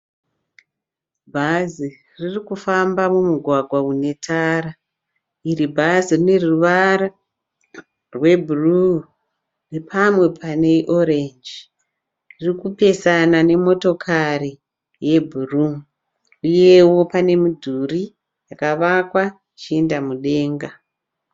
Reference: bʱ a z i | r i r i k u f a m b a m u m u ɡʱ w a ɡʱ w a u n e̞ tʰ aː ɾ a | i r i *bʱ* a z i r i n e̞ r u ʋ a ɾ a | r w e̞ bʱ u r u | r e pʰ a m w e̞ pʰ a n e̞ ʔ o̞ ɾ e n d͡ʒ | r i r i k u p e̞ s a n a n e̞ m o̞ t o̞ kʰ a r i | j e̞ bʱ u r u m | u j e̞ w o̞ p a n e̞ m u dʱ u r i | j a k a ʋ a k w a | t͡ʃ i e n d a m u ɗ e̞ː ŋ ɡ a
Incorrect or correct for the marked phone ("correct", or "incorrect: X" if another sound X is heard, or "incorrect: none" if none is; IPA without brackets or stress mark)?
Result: correct